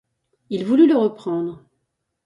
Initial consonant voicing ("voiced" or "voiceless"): voiced